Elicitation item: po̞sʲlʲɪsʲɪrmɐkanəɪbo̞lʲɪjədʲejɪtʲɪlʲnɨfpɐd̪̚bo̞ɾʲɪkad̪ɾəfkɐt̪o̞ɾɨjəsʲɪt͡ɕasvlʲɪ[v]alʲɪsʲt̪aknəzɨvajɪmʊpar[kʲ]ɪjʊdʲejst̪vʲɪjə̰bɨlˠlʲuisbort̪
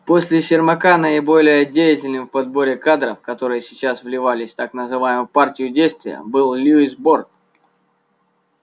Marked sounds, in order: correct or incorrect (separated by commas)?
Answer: correct, incorrect